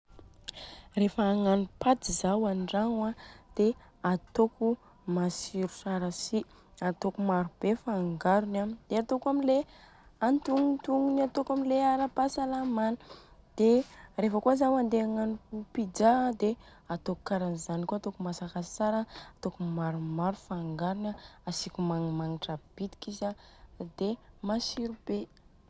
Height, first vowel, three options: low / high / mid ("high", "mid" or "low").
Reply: mid